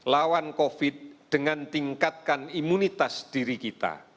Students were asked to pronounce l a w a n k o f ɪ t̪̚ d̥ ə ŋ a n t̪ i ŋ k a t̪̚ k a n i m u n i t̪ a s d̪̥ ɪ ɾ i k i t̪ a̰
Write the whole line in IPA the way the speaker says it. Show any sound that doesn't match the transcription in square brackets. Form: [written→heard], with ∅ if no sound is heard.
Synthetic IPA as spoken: l a w a n k o f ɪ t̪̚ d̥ ə ŋ a n t̪ i ŋ k a t̪̚ k a n i m u n i t̪ a s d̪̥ [ɪ→i] ɾ i k i t̪ a̰

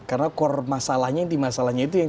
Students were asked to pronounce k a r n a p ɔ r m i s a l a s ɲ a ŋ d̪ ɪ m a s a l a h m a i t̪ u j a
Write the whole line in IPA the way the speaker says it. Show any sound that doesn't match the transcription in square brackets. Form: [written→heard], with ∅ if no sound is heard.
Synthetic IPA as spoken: k a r n a [p→k] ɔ r m [i→a] s a l a [s→h] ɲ a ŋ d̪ [ɪ→i] m a s a l a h [m→ɲ] a i t̪ u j a

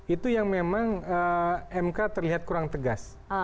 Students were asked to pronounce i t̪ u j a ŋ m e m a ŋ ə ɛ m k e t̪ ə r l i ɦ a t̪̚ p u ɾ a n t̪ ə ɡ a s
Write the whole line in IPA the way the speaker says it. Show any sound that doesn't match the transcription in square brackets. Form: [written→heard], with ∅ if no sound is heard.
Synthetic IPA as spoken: i t̪ u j a ŋ m e m a ŋ ə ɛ m k [e→a] t̪ ə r l i ɦ a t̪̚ [p→k] u ɾ a [n→ŋ] t̪ ə ɡ a s

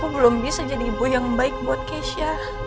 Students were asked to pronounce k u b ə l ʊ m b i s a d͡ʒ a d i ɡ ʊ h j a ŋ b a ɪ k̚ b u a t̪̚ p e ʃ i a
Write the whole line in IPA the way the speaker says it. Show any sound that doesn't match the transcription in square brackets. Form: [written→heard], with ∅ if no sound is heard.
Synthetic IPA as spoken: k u b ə l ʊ m b i s a d͡ʒ a d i [ɡ→b] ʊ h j a ŋ b a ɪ k̚ b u a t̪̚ [p→k] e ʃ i a

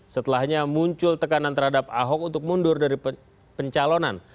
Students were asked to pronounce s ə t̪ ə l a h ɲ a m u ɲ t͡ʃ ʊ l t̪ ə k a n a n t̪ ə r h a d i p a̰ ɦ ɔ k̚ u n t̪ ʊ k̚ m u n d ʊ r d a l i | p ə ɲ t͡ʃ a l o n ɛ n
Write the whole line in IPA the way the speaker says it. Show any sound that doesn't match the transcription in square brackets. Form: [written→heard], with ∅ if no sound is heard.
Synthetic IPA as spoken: s ə t̪ ə l a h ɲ a m u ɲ t͡ʃ ʊ l t̪ ə k a n a n t̪ ə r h a d [i→a] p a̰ ɦ ɔ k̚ u n t̪ ʊ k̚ m u n d ʊ r d a [l→ɾ] i | p ə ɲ t͡ʃ a l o n [ɛ→a] n

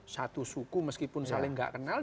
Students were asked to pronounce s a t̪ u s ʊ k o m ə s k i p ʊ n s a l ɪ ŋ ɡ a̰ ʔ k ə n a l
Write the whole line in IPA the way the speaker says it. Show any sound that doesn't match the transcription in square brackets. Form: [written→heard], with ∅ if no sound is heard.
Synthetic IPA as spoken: s a t̪ u s [ʊ→u] k [o→u] m ə s k i p ʊ n s a l ɪ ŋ ɡ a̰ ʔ k ə n a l

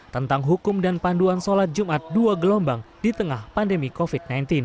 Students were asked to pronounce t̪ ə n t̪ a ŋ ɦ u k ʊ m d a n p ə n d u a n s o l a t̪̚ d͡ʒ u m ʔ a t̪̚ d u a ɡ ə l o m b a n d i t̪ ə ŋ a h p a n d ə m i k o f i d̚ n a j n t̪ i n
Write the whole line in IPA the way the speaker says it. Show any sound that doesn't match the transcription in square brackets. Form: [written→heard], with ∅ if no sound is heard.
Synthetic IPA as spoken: t̪ ə n t̪ a ŋ ɦ u k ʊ m d a n p [ə→a] n d u a n s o l a t̪̚ d͡ʒ u m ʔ a t̪̚ d u a ɡ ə l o m b a [n→ŋ] d i t̪ ə ŋ a h p a n d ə m i k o f i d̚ n a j n t̪ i n

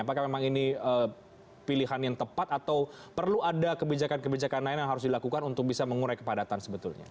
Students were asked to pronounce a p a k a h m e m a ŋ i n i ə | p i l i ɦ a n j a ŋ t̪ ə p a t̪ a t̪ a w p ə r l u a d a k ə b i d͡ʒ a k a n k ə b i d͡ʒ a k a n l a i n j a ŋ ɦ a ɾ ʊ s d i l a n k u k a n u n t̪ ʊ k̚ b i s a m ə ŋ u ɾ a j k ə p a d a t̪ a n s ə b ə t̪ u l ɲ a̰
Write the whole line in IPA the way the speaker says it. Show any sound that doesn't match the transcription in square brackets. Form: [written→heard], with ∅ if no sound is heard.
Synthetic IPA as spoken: a p a k a h m e m a ŋ i n i ə | p i l i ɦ a n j a ŋ t̪ ə p a t̪ a t̪ a w p ə r l u a d a k ə b i d͡ʒ a k a n k ə b i d͡ʒ a k a n l a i n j a ŋ ɦ a ɾ ʊ s d i l a [n→∅] k u k a n u n t̪ ʊ k̚ b i s a m ə ŋ u ɾ a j k ə p a d a t̪ a n s ə b ə t̪ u l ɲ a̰

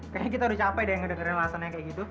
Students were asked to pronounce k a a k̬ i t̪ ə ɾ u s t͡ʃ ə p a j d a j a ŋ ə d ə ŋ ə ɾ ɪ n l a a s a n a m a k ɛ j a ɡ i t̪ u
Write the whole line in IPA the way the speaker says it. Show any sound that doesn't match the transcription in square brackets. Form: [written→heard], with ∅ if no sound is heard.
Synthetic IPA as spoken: k a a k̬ i t̪ [ə→a] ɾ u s t͡ʃ [ə→a] p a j d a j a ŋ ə d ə ŋ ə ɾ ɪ n l a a s a n a [m→ɲ] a k [ɛ→a] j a ɡ i t̪ u

